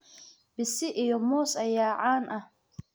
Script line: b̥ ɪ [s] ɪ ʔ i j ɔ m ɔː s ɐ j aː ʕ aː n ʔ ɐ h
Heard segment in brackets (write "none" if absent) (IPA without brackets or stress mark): s